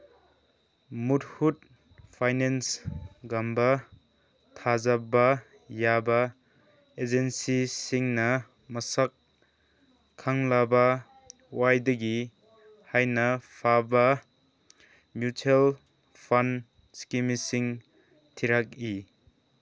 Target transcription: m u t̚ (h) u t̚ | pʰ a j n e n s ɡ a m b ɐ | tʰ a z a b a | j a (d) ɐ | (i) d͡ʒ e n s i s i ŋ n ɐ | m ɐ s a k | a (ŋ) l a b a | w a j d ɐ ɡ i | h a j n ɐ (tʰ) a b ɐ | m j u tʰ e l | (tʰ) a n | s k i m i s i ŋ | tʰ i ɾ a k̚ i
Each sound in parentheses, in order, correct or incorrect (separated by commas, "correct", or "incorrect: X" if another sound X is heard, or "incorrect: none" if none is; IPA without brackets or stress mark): correct, incorrect: b, incorrect: e, correct, incorrect: pʰ, incorrect: pʰ